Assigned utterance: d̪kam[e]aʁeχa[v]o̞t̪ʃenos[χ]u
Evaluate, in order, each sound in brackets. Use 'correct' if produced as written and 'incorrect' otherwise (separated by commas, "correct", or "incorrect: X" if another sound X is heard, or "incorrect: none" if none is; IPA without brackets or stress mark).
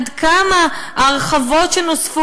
incorrect: a, correct, incorrect: f